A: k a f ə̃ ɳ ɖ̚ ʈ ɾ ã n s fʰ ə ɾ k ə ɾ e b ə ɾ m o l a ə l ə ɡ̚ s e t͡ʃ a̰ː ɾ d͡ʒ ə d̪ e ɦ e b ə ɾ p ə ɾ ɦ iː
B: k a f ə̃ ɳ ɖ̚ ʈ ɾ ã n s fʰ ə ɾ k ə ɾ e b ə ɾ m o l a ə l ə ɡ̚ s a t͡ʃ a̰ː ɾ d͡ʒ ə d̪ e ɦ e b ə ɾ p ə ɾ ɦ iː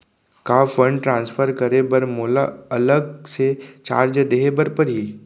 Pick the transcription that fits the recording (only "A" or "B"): A